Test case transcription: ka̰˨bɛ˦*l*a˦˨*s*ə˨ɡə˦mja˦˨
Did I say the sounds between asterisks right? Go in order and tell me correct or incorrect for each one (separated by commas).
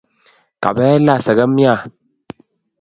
correct, correct